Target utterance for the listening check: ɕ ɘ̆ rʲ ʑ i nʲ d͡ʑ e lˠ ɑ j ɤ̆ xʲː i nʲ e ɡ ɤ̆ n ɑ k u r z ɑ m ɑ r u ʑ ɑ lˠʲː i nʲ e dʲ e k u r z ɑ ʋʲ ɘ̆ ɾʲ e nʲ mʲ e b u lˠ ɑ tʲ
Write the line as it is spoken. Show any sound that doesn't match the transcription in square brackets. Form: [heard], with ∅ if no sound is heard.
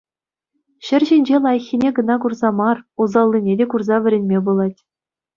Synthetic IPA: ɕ ɘ̆ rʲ ʑ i nʲ d͡ʑ e lˠ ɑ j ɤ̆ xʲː i nʲ e ɡ ɤ̆ n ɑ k u r z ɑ m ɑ r u [z] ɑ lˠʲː i nʲ e dʲ e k u r z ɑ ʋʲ ɘ̆ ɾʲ e nʲ mʲ e b u lˠ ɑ tʲ